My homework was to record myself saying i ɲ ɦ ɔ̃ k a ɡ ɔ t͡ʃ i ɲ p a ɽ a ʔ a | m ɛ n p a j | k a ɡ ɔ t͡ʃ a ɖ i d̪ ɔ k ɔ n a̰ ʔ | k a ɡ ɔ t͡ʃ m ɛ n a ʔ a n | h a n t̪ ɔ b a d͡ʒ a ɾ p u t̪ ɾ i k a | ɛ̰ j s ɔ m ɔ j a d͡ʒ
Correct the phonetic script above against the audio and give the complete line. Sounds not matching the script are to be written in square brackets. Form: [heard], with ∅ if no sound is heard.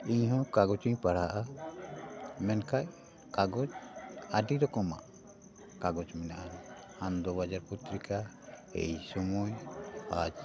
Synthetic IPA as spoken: i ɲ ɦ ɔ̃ k a ɡ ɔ t͡ʃ i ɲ p a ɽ a ʔ a | m ɛ n [k] a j | k a ɡ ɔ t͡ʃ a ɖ i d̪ ɔ k ɔ [m] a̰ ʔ | k a ɡ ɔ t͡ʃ m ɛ n a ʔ a n | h a n [d̪] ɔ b a d͡ʒ a ɾ p u t̪ ɾ i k a | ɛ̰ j s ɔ m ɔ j a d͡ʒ